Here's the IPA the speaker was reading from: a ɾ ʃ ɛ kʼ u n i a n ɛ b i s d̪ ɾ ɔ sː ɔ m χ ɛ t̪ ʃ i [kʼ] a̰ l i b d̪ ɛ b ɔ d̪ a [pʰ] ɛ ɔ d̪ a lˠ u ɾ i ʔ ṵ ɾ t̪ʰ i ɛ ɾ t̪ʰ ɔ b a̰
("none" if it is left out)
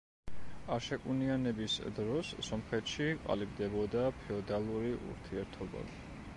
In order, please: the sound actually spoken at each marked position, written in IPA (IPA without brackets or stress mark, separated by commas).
qʼ, pʰ